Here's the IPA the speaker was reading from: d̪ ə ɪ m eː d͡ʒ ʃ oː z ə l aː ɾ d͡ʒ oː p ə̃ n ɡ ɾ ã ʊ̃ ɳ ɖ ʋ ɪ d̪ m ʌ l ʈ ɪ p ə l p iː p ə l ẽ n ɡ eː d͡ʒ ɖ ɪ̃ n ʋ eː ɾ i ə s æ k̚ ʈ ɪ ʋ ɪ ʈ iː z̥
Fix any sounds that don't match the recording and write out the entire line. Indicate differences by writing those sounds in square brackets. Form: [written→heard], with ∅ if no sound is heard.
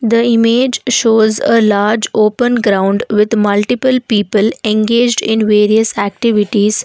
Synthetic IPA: d̪ ə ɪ m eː d͡ʒ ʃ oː z ə l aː ɾ d͡ʒ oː p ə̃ n ɡ ɾ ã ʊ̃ ɳ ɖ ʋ ɪ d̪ m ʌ l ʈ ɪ p ə l p iː p ə l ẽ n ɡ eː d͡ʒ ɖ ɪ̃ n ʋ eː ɾ i ə s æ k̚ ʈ ɪ ʋ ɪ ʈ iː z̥